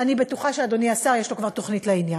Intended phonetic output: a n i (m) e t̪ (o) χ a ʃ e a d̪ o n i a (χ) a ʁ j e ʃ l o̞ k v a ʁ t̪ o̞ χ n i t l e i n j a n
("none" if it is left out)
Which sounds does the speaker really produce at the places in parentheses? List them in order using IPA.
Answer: b, u, s

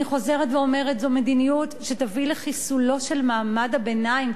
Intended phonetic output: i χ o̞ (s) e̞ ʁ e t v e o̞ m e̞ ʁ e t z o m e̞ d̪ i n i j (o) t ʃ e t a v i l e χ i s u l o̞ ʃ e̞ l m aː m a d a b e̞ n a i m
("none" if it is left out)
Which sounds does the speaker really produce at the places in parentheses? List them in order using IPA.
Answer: z, u

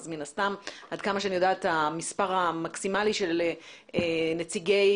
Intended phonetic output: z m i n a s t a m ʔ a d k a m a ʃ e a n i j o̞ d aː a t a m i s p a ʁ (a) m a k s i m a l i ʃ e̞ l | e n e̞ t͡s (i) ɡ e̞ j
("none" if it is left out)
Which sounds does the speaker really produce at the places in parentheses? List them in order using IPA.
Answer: a, i

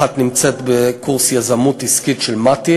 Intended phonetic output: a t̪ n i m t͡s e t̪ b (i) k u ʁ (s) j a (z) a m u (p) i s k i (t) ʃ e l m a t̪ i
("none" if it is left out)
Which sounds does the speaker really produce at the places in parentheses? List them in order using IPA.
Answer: e, s, z, t, t

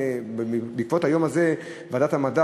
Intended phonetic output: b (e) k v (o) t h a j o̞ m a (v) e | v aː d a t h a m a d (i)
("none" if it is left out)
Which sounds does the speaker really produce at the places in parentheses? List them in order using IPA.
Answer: i, o, z, a

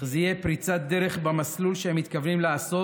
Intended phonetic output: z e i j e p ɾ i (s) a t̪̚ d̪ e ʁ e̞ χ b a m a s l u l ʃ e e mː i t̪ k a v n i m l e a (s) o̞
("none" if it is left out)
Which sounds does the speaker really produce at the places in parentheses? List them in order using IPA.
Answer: t͡s, s

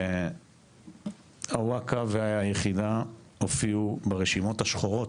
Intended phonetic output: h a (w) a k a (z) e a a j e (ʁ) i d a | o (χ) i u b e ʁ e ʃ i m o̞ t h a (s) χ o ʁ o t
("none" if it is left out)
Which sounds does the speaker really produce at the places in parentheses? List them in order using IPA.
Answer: w, v, χ, f, ʃ

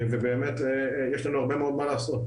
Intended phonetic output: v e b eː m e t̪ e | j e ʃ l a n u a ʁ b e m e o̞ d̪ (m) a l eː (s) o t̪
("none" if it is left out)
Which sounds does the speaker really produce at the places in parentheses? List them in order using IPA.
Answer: m, s

